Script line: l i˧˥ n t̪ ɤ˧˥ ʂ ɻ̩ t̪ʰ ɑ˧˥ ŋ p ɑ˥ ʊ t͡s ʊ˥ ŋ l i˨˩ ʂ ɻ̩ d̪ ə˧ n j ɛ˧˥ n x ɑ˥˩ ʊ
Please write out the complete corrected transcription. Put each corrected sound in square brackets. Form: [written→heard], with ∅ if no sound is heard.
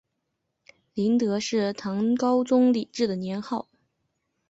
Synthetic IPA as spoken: l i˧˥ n t̪ ɤ˧˥ ʂ ɻ̩ t̪ʰ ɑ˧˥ ŋ [p→k] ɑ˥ ʊ t͡s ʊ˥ ŋ l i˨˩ [ʂ→ʈ͡ʂ] ɻ̩ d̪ [ə˧→ə˩] n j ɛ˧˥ n x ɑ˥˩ ʊ